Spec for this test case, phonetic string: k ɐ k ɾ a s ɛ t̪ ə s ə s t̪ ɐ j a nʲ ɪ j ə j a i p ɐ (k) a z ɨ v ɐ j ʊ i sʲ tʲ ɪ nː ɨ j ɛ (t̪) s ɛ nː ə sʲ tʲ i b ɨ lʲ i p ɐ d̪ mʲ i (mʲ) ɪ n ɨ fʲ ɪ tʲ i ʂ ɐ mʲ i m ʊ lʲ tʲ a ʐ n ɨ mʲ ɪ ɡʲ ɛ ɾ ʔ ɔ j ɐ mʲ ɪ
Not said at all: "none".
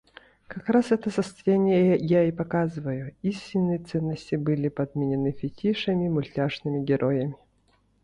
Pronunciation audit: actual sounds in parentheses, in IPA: k, t̪, nʲ

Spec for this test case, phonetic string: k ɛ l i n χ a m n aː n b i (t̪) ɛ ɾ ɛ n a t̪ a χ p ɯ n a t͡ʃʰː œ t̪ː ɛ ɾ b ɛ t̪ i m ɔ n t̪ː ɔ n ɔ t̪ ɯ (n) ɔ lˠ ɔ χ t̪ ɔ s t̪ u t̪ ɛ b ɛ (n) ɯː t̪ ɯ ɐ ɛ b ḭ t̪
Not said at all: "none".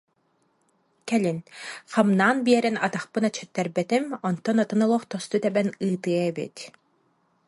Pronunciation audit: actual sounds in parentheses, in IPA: none, n, n

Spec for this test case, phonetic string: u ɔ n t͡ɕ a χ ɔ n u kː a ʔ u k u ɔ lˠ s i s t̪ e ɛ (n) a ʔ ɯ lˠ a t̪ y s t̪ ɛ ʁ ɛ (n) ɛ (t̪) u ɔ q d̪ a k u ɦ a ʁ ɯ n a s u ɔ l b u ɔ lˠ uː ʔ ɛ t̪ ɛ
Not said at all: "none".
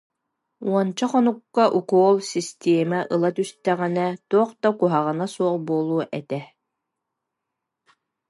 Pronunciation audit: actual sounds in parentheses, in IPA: m, n, t̪

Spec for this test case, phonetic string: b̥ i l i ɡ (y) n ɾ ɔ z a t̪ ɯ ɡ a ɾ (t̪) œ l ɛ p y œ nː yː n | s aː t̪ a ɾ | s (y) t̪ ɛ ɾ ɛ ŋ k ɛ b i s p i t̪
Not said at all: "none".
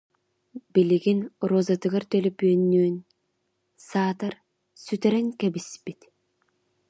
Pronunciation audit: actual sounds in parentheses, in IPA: i, t̪, y

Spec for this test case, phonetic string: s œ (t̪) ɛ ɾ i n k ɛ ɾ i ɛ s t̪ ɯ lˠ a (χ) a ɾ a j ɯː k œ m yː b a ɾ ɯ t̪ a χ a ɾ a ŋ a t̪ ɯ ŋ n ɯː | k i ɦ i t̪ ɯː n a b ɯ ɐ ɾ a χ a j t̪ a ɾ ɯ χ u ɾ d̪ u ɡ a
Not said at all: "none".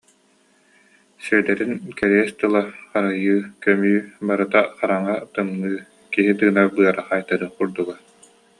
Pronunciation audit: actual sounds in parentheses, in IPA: d̪, χ

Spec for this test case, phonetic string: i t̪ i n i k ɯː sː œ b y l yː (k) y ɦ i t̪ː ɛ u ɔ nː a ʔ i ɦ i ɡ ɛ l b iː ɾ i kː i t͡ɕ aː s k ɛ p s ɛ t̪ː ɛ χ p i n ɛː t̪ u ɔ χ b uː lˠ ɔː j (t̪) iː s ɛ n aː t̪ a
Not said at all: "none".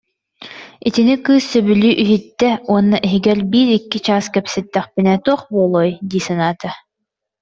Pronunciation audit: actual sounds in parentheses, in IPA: ʔ, d̪

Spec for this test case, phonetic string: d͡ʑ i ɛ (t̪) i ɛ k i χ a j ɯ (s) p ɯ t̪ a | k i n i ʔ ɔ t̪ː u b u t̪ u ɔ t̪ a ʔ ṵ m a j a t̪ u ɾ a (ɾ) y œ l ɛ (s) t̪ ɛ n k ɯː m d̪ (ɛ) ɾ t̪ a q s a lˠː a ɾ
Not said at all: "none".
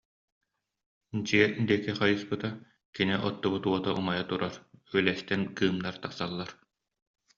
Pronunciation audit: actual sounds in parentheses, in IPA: d̪, s, ɾ, s, a

